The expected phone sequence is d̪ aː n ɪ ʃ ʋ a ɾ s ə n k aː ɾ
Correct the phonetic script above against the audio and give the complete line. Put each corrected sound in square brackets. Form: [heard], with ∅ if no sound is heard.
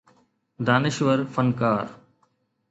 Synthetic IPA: d̪ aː n ɪ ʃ ʋ [ə] ɾ [f] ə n k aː ɾ